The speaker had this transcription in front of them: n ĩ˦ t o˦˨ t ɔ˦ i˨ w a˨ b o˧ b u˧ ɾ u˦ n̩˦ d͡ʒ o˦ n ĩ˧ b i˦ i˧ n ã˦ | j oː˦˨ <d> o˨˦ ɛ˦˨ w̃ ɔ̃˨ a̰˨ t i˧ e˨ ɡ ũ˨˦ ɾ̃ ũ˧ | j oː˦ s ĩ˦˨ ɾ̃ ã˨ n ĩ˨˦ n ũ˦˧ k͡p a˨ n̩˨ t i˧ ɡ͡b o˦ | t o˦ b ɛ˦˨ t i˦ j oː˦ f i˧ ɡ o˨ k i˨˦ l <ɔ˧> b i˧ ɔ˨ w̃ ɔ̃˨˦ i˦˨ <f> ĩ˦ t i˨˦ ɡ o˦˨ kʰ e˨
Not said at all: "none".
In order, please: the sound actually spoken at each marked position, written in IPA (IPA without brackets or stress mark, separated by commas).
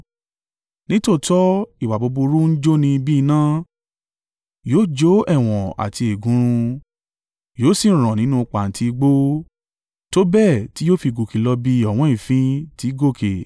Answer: d͡ʒ, ɔ˧, f